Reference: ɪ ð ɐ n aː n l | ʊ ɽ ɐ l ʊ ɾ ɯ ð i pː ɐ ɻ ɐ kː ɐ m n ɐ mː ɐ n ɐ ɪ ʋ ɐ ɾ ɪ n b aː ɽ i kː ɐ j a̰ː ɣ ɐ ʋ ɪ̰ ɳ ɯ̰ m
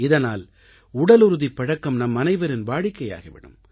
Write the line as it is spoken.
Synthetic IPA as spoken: ɪ ð ɐ n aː l | ʊ ɽ ɐ l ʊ ɾ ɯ ð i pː ɐ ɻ ɐ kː ɐ m n ɐ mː ɐ n ɐ ɪ ʋ ɐ ɾ ɪ n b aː ɽ ɪ kː ɐ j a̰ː ɣ ɐ ʋ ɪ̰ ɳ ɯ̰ m

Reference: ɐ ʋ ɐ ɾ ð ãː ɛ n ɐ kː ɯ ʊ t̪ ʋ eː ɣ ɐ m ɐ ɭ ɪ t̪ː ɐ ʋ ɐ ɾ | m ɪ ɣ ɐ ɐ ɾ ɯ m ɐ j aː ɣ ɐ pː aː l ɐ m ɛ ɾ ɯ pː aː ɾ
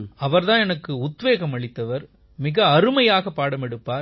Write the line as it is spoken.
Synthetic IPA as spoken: ɐ ʋ ɐ ɾ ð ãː ɛ n ɐ kː ɯ ʊ t̪ ʋ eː ɣ ɐ m ɐ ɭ ɪ t̪ː ɐ ʋ ɐ ɾ | m ɪ ɣ ɐ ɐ ɾ ɯ m ɐ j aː ɣ ɐ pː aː ɽ ɐ m ɛ ɽ ɯ pː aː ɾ

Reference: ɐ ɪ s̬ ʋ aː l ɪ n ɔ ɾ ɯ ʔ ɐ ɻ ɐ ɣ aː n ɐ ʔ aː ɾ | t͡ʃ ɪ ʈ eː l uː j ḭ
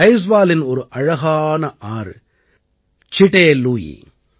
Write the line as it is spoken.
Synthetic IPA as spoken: ɐ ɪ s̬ ʋ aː l ɪ n ɔ ɾ ɯ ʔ ɐ ɻ ɐ ɣ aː n ɐ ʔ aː ɾ | t͡ʃ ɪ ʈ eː l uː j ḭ

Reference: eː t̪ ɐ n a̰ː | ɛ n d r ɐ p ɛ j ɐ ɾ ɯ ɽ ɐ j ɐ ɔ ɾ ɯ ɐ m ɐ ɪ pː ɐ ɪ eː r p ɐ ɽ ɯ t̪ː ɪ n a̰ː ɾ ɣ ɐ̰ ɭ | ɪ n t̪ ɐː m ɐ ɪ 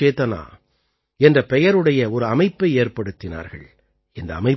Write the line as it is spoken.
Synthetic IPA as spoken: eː t̪ ɐ n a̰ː | ɛ n d r ɐ p ɛ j ɐ ɾ ɯ ɽ ɐ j ɐ ɔ ɾ ɯ ɐ m ɐ ɪ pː ɐ ɪ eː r p ɐ ɽ ɯ t̪ː ɪ n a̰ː ɾ ɣ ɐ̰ ɭ | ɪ n d̪ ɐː m ɐ ɪ

